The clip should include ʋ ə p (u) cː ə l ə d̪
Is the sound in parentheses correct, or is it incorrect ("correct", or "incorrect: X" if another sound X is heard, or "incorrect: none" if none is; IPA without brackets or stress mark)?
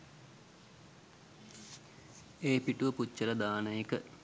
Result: correct